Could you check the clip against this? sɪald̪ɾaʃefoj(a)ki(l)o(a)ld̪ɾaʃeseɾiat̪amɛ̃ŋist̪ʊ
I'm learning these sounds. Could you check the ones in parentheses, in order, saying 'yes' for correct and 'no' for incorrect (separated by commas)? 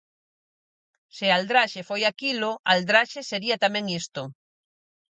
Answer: yes, yes, yes